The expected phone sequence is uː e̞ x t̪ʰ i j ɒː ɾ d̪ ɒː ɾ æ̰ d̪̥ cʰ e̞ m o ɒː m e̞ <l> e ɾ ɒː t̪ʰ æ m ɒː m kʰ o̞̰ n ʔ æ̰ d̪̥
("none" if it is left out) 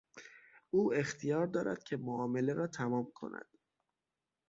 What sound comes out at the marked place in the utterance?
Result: l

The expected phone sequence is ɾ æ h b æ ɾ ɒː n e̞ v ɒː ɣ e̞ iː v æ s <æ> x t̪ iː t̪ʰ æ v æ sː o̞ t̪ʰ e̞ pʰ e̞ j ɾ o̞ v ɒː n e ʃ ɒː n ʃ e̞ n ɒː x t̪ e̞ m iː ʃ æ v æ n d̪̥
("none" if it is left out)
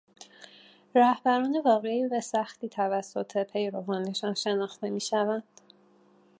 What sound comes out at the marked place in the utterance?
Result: æ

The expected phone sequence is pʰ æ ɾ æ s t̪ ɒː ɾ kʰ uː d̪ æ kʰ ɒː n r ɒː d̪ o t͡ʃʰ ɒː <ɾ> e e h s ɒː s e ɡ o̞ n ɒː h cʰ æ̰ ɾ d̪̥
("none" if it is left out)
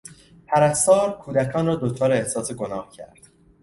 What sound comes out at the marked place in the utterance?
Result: ɾ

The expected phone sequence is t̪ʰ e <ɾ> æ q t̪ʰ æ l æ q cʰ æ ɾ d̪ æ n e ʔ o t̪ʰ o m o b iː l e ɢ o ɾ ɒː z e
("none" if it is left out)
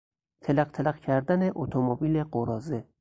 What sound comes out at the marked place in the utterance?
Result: l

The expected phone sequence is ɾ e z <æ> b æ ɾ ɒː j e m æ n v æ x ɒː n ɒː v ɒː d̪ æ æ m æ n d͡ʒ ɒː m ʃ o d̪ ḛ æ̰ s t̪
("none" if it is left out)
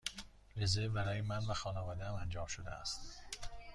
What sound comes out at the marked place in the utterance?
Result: e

